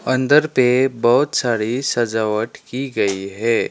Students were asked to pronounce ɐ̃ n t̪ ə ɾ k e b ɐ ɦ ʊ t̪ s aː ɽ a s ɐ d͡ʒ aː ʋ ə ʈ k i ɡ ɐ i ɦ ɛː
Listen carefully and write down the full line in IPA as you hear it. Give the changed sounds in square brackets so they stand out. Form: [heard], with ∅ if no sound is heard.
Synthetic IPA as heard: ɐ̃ n [d̪] ə ɾ [p] e b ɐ ɦ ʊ t̪ s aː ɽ [i] s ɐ d͡ʒ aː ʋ ə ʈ k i ɡ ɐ i ɦ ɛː